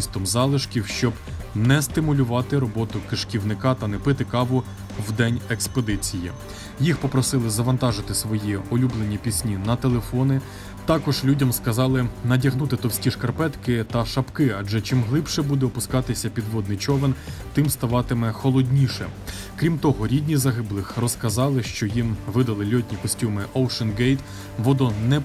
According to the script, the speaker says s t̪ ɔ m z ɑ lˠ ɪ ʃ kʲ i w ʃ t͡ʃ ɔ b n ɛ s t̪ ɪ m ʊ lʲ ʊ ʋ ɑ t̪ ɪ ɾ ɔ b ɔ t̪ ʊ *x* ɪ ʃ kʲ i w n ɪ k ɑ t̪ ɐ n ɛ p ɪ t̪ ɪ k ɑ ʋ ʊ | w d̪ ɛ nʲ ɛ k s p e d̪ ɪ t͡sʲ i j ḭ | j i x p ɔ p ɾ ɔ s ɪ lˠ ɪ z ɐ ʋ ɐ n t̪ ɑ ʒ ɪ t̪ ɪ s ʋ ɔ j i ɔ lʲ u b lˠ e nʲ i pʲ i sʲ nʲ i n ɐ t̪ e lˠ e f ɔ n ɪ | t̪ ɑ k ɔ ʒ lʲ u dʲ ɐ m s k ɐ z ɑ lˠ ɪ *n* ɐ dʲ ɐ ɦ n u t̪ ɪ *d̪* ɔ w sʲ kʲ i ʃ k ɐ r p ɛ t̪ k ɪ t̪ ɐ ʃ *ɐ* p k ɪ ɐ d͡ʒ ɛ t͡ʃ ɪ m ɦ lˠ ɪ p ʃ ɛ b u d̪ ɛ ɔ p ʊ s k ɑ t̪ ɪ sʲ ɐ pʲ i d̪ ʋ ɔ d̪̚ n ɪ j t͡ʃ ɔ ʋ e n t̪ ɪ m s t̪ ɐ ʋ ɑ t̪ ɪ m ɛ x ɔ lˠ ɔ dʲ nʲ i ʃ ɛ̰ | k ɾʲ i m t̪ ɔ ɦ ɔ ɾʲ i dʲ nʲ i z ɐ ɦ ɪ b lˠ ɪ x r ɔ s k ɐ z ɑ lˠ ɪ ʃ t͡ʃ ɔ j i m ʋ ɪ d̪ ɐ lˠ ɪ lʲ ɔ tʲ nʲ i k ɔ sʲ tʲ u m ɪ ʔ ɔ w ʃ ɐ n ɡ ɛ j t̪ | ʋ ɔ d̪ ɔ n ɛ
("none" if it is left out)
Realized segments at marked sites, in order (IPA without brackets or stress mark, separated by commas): k, n, t̪, ɐ